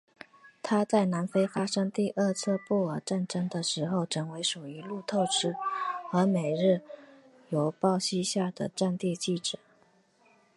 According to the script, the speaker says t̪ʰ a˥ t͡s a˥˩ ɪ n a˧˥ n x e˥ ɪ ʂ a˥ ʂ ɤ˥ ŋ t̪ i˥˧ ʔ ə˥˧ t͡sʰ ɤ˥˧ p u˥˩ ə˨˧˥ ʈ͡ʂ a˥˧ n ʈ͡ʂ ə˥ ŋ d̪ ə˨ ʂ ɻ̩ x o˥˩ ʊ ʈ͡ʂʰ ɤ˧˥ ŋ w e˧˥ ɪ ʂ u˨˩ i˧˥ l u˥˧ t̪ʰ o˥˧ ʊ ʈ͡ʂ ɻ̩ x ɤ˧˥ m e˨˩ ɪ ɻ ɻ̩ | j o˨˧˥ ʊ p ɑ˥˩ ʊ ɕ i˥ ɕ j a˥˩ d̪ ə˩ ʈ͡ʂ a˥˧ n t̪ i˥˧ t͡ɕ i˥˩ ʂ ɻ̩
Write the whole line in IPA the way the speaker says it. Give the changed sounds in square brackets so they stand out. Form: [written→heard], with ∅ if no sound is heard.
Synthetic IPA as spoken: t̪ʰ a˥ t͡s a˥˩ ɪ n a˧˥ n [x→f] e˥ ɪ [ʂ→f] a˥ ʂ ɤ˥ ŋ t̪ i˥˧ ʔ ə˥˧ t͡sʰ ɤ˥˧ p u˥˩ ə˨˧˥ ʈ͡ʂ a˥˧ n ʈ͡ʂ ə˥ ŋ d̪ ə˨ ʂ ɻ̩ x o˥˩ ʊ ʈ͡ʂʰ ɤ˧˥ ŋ w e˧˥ ɪ ʂ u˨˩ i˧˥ l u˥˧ t̪ʰ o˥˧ ʊ ʈ͡ʂ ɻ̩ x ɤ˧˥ m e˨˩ ɪ ɻ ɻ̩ | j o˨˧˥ ʊ p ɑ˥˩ ʊ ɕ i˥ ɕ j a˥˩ d̪ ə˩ ʈ͡ʂ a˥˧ n t̪ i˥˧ t͡ɕ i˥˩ [ʂ→ʈ͡ʂ] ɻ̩